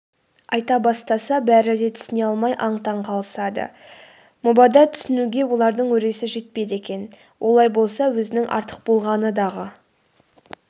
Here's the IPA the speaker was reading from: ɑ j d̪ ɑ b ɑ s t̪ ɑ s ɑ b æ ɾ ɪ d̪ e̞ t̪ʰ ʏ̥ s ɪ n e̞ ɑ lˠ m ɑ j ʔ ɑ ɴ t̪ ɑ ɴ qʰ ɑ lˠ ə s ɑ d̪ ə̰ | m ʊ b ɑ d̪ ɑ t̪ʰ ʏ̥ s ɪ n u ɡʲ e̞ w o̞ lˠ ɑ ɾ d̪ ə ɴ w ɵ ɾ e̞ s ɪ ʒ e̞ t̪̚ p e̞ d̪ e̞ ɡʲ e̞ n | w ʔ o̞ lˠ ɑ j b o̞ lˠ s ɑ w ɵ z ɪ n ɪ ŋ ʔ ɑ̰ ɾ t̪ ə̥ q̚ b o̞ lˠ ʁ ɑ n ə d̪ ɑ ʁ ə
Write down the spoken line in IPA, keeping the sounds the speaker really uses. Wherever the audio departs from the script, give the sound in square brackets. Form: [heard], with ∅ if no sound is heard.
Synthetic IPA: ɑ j [t̪] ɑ b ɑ s t̪ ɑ s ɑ b æ ɾ ɪ d̪ e̞ t̪ʰ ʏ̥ s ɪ n e̞ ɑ lˠ m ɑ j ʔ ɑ ɴ t̪ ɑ ɴ qʰ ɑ lˠ ə s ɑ d̪ ə̰ | m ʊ b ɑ d̪ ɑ t̪ʰ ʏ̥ s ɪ n u ɡʲ e̞ w o̞ lˠ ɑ ɾ d̪ ə ɴ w ɵ ɾ e̞ s ɪ ʒ e̞ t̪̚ p e̞ d̪ e̞ [kʲ] e̞ n | w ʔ o̞ lˠ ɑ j b o̞ lˠ s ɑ w ɵ z ɪ n ɪ ŋ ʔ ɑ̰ ɾ t̪ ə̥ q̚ b o̞ lˠ ʁ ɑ n ə d̪ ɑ ʁ ə